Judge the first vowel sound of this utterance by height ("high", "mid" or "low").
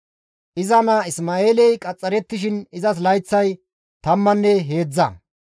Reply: high